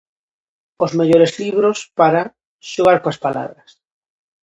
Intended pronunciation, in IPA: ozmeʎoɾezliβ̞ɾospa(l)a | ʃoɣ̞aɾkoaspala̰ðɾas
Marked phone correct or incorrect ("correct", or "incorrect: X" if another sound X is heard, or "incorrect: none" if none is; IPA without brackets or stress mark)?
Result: incorrect: ɾ